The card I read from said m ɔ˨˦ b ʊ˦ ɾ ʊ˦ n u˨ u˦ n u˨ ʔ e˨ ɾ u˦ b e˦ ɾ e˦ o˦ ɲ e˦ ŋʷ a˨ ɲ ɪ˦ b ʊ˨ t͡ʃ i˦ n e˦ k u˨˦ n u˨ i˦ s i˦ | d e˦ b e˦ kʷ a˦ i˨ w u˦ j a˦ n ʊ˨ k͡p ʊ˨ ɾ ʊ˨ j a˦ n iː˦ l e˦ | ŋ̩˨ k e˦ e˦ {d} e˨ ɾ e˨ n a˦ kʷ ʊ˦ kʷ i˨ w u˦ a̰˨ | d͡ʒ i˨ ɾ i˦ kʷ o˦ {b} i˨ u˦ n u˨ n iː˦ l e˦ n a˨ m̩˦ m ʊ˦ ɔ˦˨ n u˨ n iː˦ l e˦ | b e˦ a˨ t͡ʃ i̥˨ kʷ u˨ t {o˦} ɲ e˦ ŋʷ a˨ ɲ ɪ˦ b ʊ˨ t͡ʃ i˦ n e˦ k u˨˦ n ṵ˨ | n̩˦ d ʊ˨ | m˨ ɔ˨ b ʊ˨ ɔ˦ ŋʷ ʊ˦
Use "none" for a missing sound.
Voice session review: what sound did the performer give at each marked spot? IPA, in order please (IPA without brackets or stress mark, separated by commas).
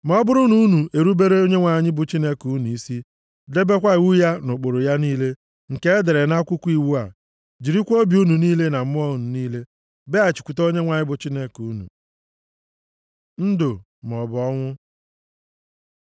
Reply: d, b, o˦